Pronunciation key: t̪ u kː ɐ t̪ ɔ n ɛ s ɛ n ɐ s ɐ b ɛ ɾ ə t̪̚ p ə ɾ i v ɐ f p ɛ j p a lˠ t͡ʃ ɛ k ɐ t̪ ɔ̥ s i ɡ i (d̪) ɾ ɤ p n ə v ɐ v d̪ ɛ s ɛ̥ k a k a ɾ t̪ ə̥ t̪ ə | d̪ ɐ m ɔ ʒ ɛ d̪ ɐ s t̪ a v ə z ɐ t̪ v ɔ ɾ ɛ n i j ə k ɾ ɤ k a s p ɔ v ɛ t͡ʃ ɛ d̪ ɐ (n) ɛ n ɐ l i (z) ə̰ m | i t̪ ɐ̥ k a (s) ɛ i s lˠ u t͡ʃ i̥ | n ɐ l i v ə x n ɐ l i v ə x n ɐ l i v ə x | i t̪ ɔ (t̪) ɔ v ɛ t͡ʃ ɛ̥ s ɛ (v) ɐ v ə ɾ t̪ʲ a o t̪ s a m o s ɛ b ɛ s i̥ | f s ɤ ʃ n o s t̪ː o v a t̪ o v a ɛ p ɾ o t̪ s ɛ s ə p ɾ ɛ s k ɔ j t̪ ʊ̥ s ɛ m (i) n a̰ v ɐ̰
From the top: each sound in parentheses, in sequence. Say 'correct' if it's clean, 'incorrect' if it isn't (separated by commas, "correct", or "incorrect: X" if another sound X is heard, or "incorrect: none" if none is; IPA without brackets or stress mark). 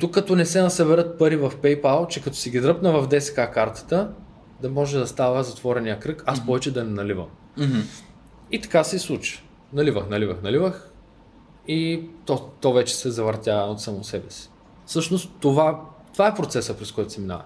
correct, correct, incorrect: v, correct, correct, incorrect: z, correct